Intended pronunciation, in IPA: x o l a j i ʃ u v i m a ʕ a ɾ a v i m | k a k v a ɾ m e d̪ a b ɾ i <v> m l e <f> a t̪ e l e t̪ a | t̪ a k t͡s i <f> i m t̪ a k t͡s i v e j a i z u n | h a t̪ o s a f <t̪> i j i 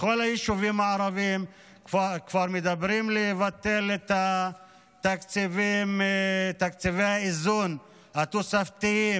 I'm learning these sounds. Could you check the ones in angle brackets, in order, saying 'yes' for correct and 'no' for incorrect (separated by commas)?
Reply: no, no, no, yes